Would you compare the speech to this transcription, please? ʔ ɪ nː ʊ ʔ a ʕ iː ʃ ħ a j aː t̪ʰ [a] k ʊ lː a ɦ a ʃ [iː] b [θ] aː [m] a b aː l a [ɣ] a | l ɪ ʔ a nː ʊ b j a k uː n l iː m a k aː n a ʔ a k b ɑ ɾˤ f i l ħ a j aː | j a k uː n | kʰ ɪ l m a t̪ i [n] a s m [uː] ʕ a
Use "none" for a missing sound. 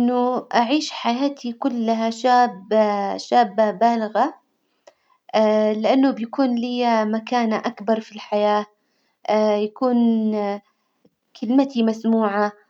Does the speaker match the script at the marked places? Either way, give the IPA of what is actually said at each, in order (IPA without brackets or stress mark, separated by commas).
i, aː, ʃ, b, ɣ, m, uː